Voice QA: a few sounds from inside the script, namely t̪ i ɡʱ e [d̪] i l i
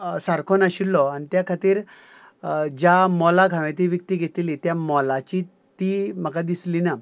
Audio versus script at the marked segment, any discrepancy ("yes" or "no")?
yes